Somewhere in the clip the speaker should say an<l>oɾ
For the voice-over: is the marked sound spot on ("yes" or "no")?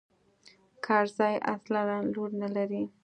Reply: yes